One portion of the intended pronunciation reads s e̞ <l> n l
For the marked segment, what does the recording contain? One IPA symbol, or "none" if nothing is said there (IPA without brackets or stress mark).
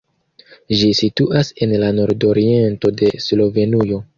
none